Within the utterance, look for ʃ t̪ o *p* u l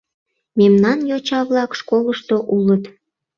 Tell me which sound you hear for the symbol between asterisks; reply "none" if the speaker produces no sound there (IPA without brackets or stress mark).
ʔ